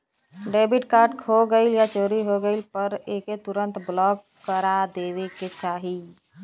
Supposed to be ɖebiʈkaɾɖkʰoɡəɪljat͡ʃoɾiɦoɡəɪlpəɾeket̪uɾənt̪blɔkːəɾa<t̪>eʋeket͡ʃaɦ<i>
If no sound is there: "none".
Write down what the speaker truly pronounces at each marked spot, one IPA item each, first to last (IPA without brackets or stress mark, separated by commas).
d̪, i